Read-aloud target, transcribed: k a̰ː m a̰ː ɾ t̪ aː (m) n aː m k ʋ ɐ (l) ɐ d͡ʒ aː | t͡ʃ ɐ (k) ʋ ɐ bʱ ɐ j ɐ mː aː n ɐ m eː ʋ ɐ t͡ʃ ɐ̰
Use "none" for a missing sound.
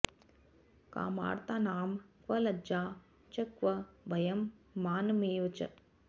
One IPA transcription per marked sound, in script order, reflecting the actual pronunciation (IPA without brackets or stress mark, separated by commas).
none, l, k